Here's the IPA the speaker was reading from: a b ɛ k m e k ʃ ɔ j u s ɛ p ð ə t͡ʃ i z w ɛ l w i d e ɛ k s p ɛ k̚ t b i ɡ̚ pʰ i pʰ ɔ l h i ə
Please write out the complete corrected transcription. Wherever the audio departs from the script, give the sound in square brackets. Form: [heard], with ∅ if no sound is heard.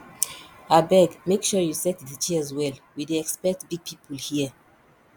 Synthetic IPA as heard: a b ɛ [ɡ] m e k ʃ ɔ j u s ɛ [t] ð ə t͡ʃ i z w ɛ l w i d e ɛ k s p ɛ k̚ t b i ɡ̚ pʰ i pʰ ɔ l h i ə